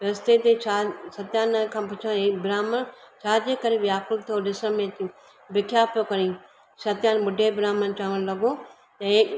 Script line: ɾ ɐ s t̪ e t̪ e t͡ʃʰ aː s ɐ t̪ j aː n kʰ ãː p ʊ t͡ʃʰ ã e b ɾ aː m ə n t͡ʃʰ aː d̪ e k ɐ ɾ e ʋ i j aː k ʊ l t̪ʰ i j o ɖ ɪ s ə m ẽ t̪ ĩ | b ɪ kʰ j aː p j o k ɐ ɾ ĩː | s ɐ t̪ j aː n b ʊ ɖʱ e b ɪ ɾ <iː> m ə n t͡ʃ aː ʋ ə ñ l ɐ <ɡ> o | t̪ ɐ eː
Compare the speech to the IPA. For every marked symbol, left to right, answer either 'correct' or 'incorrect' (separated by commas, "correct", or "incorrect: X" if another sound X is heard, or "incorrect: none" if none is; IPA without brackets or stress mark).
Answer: incorrect: aː, correct